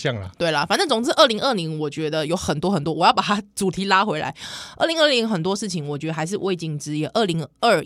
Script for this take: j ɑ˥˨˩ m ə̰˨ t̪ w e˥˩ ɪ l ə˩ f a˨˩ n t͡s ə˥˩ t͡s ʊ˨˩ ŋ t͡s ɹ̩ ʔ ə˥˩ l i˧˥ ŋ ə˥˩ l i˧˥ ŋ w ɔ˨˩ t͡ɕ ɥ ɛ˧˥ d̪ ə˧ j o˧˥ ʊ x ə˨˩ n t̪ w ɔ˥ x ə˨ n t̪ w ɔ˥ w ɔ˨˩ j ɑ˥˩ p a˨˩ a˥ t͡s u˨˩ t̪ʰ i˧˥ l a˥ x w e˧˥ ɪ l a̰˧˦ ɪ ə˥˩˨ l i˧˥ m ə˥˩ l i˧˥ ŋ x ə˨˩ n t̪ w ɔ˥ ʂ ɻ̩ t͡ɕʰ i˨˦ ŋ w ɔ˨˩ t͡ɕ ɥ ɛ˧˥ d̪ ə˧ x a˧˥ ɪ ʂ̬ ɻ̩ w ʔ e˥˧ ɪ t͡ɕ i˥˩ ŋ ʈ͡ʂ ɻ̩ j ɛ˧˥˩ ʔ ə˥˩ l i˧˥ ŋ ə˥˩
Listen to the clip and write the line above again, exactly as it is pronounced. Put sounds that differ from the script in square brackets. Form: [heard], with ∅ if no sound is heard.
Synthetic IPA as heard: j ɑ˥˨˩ [ŋ] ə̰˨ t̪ w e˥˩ ɪ l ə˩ f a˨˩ n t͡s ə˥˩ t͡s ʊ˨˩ ŋ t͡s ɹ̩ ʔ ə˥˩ l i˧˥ ŋ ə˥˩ l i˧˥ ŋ w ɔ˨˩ t͡ɕ ɥ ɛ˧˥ d̪ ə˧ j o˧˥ ʊ x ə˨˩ n t̪ w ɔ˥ x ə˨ n t̪ w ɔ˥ w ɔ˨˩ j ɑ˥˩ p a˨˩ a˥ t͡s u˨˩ t̪ʰ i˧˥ l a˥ x w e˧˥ ɪ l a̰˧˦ ɪ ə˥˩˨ l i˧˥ [ŋ] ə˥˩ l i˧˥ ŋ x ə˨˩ n t̪ w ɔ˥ ʂ ɻ̩ t͡ɕʰ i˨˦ ŋ w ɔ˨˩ t͡ɕ ɥ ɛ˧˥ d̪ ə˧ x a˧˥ ɪ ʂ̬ ɻ̩ w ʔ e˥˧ ɪ t͡ɕ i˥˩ ŋ ʈ͡ʂ ɻ̩ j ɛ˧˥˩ ʔ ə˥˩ l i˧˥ ŋ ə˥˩